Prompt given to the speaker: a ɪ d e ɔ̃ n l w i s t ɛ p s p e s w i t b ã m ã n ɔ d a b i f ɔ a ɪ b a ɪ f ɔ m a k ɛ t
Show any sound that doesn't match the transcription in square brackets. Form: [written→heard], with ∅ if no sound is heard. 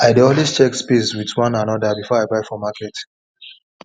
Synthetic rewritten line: a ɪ d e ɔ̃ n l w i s [t→t͡ʃ] ɛ [p→k] s p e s w i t [b→w] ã [m→n] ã n ɔ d a b i f ɔ a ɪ b a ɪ f ɔ m a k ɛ t